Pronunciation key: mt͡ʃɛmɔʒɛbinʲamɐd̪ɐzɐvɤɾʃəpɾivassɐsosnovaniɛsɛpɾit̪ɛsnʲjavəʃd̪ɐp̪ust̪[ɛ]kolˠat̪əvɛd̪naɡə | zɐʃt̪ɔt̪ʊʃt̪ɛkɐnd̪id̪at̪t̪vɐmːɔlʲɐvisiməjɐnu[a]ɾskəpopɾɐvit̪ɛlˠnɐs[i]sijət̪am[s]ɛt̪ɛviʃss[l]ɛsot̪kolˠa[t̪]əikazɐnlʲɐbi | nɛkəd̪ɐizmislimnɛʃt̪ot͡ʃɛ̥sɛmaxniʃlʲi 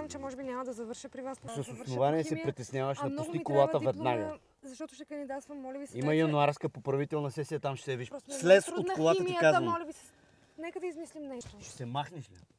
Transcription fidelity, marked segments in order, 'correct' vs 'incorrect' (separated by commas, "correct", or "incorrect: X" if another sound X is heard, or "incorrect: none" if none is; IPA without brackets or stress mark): incorrect: i, correct, incorrect: ɛ, incorrect: ʃ, correct, correct